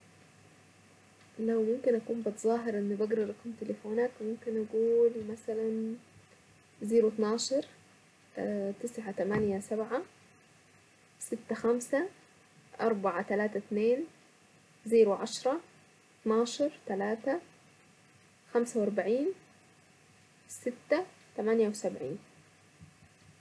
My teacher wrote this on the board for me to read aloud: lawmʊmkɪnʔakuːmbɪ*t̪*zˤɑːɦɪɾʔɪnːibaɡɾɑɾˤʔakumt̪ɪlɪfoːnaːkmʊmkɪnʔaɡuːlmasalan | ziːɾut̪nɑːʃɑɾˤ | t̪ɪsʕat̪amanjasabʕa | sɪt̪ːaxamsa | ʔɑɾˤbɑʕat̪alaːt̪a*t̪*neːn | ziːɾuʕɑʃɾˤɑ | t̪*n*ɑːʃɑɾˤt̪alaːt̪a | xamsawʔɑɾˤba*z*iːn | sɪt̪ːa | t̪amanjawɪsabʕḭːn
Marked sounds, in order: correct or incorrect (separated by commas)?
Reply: correct, correct, correct, incorrect